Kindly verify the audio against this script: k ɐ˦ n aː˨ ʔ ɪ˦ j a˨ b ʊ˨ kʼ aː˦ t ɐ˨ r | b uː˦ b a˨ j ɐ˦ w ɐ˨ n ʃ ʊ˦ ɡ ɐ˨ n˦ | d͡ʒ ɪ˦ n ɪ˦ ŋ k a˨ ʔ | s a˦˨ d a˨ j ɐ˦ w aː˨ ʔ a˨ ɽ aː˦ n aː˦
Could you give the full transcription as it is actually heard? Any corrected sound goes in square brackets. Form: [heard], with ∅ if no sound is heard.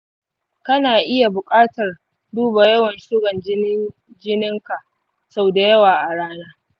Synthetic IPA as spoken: k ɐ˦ n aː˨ ʔ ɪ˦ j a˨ b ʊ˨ kʼ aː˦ t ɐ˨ r | [d] uː˦ b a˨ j ɐ˦ w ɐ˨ n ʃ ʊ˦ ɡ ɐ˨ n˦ | d͡ʒ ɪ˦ n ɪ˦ ŋ k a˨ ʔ | s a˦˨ d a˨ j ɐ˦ w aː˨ ʔ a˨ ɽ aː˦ n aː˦